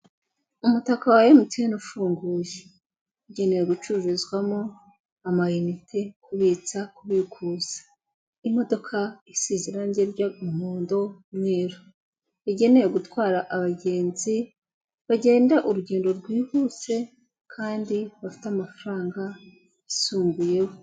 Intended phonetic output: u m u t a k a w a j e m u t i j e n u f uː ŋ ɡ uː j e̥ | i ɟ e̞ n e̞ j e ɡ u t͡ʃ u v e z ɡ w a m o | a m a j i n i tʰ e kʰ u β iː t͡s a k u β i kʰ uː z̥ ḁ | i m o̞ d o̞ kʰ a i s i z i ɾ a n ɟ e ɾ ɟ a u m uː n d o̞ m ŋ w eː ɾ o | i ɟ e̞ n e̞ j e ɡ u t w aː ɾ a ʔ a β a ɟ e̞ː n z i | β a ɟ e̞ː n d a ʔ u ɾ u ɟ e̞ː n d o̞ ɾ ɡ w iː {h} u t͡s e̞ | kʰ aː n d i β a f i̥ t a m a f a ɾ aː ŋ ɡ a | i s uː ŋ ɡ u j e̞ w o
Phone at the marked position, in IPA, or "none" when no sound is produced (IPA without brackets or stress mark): h